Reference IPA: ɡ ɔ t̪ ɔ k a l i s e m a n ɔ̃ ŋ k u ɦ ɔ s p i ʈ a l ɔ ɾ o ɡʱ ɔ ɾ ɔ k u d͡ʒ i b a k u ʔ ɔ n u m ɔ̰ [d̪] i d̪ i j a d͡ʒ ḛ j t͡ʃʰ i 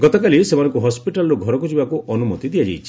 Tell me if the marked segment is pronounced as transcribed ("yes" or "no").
no